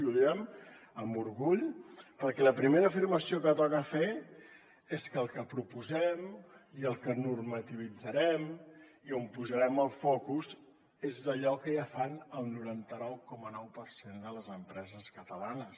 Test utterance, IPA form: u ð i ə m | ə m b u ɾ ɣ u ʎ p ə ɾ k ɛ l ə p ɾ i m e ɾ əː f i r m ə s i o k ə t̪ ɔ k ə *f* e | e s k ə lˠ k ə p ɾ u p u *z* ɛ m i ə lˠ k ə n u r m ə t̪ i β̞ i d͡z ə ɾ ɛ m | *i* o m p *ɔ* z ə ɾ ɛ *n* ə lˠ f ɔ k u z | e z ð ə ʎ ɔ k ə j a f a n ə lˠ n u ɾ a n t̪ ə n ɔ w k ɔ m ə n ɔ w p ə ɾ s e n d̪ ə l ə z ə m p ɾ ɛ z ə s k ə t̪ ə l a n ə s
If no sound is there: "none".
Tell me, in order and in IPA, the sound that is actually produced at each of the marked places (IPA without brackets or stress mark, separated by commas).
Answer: f, z, i, u, m